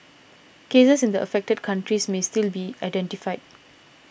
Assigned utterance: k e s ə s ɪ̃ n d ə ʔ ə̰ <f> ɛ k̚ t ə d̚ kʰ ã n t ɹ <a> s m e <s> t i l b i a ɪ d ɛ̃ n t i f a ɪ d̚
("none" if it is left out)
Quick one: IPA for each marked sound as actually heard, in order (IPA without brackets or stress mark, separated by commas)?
f, i, s